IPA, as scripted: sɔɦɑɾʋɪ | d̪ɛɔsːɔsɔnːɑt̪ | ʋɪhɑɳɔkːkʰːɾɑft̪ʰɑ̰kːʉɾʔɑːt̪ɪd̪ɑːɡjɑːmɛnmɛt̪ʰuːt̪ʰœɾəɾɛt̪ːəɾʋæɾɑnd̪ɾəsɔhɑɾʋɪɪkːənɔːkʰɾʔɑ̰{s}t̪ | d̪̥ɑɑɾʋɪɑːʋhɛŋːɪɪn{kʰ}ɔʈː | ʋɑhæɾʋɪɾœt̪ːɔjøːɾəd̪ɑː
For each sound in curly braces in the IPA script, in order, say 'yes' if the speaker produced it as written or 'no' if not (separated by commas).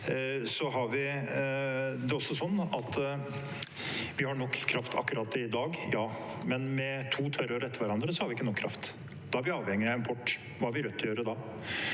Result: no, no